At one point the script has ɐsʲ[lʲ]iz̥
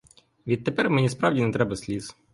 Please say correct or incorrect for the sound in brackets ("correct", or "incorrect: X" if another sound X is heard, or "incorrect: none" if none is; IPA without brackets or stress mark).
correct